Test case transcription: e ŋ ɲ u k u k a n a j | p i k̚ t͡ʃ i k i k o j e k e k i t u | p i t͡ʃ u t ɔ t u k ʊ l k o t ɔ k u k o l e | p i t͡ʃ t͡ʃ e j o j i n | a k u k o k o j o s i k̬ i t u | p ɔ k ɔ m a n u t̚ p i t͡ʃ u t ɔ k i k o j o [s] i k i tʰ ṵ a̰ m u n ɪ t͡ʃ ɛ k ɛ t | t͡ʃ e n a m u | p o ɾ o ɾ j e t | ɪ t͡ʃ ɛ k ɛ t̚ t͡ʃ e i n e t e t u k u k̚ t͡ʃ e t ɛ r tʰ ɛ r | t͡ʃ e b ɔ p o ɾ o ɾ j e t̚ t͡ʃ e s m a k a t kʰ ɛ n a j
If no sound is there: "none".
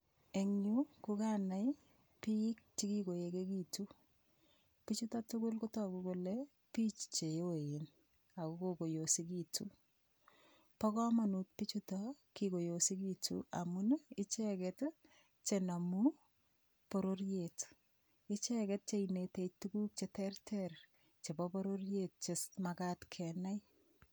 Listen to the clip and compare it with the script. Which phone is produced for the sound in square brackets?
s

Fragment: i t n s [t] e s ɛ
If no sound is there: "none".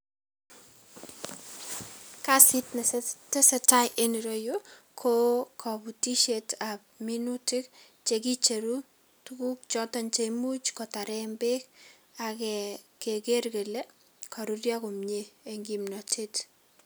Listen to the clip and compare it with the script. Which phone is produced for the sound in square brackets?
t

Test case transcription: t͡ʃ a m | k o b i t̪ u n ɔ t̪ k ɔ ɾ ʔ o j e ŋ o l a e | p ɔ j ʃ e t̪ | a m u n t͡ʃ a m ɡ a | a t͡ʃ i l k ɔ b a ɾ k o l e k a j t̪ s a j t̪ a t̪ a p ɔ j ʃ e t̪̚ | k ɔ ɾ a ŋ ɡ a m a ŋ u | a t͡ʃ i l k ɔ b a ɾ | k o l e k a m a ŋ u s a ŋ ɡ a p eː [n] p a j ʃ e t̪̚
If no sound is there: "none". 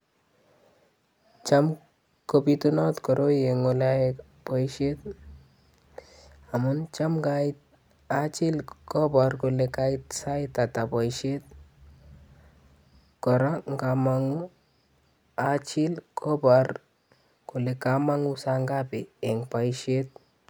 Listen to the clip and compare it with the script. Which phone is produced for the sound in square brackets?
ŋ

